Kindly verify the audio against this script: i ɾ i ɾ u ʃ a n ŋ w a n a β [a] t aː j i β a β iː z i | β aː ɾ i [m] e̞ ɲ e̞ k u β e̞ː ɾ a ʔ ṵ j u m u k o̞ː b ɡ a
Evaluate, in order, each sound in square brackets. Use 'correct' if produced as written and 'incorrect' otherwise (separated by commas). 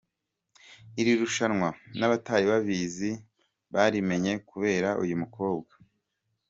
correct, correct